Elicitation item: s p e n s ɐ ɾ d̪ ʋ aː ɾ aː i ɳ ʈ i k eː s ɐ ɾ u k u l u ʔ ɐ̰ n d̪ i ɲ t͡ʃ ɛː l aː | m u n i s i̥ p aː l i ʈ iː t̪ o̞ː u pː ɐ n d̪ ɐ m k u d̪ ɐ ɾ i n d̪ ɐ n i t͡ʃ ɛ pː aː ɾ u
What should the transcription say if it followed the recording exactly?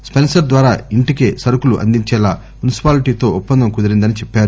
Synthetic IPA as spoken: s p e n s ɐ ɾ d̪ ʋ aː ɾ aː i ɳ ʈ i k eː s ɐ ɾ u k u l u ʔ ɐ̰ n d̪ i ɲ t͡ʃ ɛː l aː | m u n i s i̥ p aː l i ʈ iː t̪ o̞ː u pː ɐ n d̪ ɐ m k u d̪ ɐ ɾ i n d̪ ɐ n i t͡ʃ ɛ pː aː ɾ u

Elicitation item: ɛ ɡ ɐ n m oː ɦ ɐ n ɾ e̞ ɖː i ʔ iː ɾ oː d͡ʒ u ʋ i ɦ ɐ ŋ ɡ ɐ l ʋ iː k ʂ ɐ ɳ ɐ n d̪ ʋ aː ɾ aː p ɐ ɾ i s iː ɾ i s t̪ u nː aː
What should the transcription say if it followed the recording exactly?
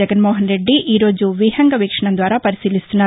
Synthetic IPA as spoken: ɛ ɡ ɐ n m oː ɦ ɐ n ɾ e̞ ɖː i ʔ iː ɾ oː d͡ʒ u ʋ i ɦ ɐ ŋ ɡ ɐ ʋ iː k ʂ ɐ ɳ ɐ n d̪ ʋ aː ɾ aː p ɐ ɾ i s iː l i s t̪ u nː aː

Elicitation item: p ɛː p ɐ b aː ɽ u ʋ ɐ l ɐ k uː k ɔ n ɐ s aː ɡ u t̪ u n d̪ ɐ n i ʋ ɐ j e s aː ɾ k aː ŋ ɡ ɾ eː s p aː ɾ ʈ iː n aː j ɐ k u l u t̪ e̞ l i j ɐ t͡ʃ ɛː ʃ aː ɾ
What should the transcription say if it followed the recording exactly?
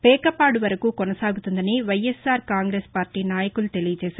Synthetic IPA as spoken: p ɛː k ɐ p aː ɽ u ʋ ɐ ɾ ɐ k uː k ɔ n ɐ s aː ɡ u t̪ u n d̪ ɐ n i ʋ ɐ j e s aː ɾ k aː ŋ ɡ ɾ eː s p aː ɾ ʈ iː n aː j ɐ k u l u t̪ e̞ l i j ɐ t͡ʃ ɛː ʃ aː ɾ

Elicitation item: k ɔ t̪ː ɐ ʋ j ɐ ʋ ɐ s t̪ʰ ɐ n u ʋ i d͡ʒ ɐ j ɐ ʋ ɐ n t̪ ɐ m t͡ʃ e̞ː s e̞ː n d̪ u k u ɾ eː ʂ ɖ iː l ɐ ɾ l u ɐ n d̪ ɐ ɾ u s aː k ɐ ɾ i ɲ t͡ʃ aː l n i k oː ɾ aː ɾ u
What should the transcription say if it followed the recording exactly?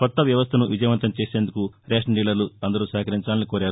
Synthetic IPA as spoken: k ɔ t̪ː ɐ ʋ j ɐ ʋ ɐ s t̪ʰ ɐ n u ʋ i d͡ʒ ɐ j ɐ ʋ ɐ n t̪ ɐ m t͡ʃ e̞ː s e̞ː n d̪ u k u ɾ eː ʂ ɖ iː l ɐ ɾ l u ɐ n d̪ ɐ ɾ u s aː k ɐ ɾ i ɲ t͡ʃ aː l n i k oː ɾ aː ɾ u

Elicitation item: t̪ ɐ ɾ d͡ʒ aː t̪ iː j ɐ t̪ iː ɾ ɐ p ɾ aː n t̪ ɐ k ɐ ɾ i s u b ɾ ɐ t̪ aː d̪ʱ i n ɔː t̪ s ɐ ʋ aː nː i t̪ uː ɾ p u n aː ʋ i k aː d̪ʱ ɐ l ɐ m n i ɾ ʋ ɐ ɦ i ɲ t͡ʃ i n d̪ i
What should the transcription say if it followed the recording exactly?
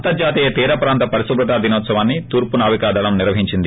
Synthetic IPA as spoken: t̪ ɐ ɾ d͡ʒ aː t̪ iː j ɐ t̪ iː ɾ ɐ p ɾ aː n t̪ ɐ p ɐ ɾ i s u b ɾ ɐ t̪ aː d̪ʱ i n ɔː t̪ s ɐ ʋ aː nː i t̪ uː ɾ p u n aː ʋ i k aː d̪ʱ ɐ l ɐ m n i ɾ ʋ ɐ ɦ i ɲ t͡ʃ i n d̪ i

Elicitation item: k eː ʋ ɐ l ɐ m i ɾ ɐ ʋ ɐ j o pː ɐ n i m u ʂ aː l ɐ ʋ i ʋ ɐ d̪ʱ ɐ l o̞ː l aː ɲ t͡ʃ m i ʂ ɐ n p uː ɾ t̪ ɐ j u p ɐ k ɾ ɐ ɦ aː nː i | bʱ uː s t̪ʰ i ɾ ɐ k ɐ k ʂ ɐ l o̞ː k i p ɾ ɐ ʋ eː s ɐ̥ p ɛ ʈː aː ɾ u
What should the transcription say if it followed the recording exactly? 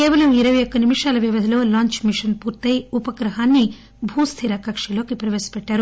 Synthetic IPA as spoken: k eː ʋ ɐ l ɐ m i ɾ ɐ ʋ ɐ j o kː ɐ n i m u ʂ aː l ɐ ʋ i ʋ ɐ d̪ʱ ɐ l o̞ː l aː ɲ t͡ʃ m i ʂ ɐ n p uː ɾ t̪ ɐ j u p ɐ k ɾ ɐ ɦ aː nː i | bʱ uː s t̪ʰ i ɾ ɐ k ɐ k ʂ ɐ l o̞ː k i p ɾ ɐ ʋ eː s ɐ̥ p ɛ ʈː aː ɾ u

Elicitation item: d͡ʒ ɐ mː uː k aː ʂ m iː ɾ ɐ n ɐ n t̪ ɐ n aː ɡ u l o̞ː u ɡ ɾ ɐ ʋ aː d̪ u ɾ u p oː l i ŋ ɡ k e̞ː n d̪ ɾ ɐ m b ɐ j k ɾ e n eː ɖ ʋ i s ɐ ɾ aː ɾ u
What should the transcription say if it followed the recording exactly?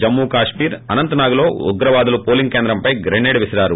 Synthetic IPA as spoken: d͡ʒ ɐ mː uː k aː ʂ m iː ɾ ɐ n ɐ n t̪ ɐ n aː ɡ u l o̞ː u ɡ ɾ ɐ ʋ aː d̪ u l u p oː l i ŋ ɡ k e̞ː n d̪ ɾ ɐ m p ɐ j ɡ ɾ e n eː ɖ ʋ i s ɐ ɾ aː ɾ u

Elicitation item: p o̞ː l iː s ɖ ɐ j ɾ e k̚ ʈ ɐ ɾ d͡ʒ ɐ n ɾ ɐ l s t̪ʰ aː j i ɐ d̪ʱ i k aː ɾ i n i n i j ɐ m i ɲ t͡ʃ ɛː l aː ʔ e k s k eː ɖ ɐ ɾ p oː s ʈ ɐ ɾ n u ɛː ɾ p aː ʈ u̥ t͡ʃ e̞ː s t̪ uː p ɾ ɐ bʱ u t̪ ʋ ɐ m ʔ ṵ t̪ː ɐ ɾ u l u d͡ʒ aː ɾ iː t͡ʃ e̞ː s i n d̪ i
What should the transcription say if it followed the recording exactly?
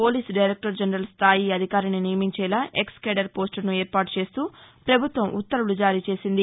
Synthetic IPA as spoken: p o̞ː l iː s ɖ ɐ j ɾ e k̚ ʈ ɐ ɾ d͡ʒ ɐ n ɾ ɐ l s t̪ʰ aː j i ɐ d̪ʱ i k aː ɾ i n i n i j ɐ m i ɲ t͡ʃ ɛː l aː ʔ e k s k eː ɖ ɐ ɾ p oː s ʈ ɐ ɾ n u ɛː ɾ p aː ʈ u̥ t͡ʃ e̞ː s t̪ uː p ɾ ɐ bʱ u t̪ ʋ ɐ m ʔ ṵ t̪ː ɐ ɾ u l u d͡ʒ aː ɾ iː t͡ʃ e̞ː s i n d̪ i

